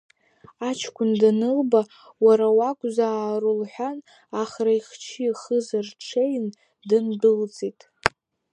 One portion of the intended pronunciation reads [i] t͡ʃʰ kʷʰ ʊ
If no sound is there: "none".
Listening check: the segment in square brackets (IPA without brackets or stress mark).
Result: a